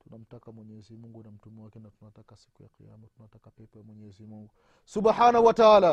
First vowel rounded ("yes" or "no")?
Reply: yes